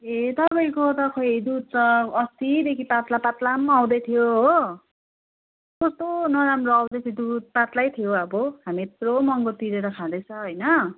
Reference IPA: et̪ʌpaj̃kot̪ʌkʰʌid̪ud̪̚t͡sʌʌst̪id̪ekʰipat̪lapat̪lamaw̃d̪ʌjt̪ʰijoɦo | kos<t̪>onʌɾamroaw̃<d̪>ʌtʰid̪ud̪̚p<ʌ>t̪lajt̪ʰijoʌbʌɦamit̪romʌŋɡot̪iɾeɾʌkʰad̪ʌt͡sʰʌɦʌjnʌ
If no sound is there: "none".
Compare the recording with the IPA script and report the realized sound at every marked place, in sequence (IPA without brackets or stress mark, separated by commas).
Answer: t̪, d̪, a